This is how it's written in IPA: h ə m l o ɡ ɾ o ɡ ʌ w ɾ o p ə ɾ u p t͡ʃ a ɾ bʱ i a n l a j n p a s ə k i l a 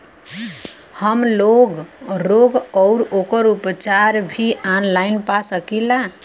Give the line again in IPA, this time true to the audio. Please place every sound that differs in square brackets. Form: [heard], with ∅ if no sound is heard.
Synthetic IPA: h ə m l o ɡ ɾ o ɡ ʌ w ɾ o [k] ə ɾ u p t͡ʃ a ɾ bʱ i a n l a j n p a s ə k i l a

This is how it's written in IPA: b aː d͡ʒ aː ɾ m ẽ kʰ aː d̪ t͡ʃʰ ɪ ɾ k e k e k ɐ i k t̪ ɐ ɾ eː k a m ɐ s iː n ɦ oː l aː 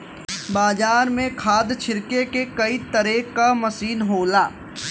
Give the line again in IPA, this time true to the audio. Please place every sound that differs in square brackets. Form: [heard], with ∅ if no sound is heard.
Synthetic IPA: b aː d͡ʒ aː ɾ m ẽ kʰ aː d̪ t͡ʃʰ ɪ ɾ k e k e k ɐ i [∅] t̪ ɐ ɾ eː k a m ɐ s iː n ɦ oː l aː

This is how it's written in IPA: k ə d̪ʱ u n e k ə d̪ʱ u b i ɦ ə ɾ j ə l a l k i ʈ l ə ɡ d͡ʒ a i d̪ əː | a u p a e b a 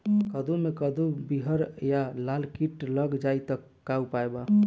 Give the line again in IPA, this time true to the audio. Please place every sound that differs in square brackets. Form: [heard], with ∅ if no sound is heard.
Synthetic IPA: k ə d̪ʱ u [m] e k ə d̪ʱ u b i ɦ ə ɾ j [a] l a l k i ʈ l ə ɡ d͡ʒ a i [t̪] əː | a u p a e b a

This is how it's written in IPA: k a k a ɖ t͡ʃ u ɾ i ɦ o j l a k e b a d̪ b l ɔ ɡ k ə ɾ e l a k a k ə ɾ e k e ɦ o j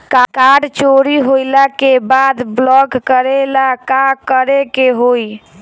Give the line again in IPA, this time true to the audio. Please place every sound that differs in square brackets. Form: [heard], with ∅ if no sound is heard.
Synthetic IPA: k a k a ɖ t͡ʃ [o] ɾ i ɦ o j l a k e b a d̪ b l ɔ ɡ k ə ɾ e l a k a k ə ɾ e k e ɦ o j

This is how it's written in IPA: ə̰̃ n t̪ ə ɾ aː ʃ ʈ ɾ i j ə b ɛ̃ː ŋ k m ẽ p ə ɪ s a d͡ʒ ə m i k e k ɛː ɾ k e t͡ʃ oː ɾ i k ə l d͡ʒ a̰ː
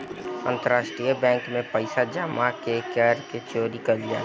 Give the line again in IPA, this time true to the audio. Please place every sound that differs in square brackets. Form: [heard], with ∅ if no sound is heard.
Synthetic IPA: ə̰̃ n t̪ ə ɾ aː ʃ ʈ ɾ i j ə b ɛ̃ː ŋ k m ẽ p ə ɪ s a d͡ʒ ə m [a] k e k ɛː ɾ k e t͡ʃ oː ɾ i k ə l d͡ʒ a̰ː

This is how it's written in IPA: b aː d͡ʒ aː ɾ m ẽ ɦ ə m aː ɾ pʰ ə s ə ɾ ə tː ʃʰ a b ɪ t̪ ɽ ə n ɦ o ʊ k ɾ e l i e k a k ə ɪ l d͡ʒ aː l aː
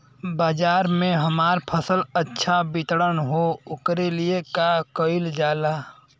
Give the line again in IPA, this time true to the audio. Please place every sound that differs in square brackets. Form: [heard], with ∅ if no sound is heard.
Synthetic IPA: b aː d͡ʒ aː ɾ m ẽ ɦ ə m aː ɾ pʰ ə s ə [l] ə tː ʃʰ a b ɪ t̪ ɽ ə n ɦ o ʊ k ɾ e l i e k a k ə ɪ l d͡ʒ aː l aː

